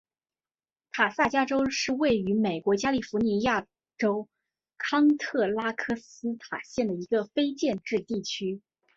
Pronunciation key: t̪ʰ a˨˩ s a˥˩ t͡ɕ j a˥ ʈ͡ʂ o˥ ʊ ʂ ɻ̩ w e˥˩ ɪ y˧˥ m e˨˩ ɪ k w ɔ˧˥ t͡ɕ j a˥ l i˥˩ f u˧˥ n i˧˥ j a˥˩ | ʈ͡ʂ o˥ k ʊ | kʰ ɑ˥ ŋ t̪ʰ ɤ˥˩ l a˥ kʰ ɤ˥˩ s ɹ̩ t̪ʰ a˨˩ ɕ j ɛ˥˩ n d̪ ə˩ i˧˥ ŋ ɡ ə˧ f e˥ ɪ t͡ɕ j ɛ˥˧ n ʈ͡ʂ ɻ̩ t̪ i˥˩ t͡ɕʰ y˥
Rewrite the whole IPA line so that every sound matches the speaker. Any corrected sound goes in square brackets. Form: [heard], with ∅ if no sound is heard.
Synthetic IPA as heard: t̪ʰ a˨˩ s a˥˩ t͡ɕ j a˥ ʈ͡ʂ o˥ ʊ ʂ ɻ̩ w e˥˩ ɪ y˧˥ m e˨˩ ɪ k w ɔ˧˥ t͡ɕ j a˥ l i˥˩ f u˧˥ n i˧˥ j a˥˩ | ʈ͡ʂ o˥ [∅] ʊ | kʰ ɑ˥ ŋ t̪ʰ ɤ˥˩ l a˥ kʰ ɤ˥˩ s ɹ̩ t̪ʰ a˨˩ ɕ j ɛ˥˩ n d̪ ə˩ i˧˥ [∅] ɡ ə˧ f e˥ ɪ t͡ɕ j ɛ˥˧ n ʈ͡ʂ ɻ̩ t̪ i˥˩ t͡ɕʰ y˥